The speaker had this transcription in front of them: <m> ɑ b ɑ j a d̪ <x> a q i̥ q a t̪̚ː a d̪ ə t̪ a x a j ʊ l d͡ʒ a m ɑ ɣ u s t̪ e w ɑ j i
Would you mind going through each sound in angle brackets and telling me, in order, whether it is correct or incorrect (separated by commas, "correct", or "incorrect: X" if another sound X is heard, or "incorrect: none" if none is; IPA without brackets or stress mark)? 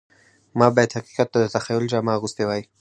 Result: correct, incorrect: h